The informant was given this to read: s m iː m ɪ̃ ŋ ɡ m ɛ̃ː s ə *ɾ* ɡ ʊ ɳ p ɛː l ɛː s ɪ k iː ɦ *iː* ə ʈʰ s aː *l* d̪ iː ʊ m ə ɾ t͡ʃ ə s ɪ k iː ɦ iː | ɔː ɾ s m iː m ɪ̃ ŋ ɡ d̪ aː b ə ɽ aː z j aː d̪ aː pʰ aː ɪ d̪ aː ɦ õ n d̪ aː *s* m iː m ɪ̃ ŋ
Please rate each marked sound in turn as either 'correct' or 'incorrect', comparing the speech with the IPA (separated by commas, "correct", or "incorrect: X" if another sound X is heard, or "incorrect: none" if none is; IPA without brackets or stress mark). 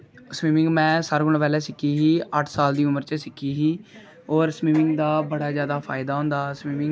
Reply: correct, correct, correct, correct